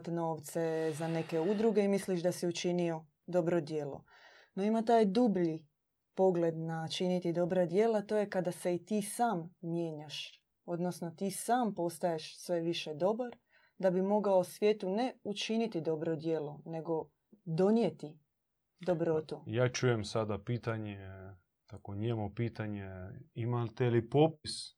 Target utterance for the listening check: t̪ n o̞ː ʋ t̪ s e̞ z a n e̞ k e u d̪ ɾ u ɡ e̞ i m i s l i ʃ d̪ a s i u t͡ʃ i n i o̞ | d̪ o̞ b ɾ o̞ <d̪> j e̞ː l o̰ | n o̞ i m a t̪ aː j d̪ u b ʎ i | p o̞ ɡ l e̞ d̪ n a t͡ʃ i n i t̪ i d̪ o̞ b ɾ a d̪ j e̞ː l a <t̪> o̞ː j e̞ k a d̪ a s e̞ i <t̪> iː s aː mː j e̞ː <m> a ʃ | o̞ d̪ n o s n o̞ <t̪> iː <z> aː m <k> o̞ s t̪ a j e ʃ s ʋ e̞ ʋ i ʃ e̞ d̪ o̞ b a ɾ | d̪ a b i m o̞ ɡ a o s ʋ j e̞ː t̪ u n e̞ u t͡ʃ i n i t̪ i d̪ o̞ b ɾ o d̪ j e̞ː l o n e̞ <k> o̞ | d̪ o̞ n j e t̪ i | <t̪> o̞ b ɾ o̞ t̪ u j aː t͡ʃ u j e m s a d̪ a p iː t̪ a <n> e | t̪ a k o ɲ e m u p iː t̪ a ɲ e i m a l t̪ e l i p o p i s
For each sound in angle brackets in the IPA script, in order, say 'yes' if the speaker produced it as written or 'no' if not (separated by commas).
yes, yes, yes, no, yes, no, no, no, no, no